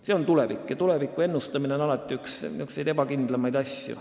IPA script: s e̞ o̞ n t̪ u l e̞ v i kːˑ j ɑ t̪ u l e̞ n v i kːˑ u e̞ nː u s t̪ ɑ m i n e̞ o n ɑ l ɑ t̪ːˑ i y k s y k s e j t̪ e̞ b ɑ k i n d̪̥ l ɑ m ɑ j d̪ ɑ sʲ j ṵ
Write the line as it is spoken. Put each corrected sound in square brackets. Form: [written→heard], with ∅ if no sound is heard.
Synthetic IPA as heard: s e̞ o̞ n t̪ u l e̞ v i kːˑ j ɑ t̪ u l e̞ [n→∅] v i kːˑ u e̞ nː u s t̪ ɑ m i n e̞ o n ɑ l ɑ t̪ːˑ i y k s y k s e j [t̪→d̪] e̞ b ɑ k i n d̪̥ l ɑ m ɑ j d̪ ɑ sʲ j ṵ